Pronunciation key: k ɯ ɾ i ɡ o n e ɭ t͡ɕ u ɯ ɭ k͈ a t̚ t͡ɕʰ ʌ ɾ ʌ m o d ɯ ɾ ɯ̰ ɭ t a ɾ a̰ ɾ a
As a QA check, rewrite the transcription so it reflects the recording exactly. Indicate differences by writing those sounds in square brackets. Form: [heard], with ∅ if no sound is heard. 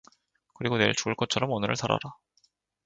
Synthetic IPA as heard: k ɯ ɾ i ɡ o n e ɭ t͡ɕ u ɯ ɭ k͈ [ʌ] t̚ t͡ɕʰ ʌ ɾ ʌ m o [n] ɯ ɾ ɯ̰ ɭ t a ɾ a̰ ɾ a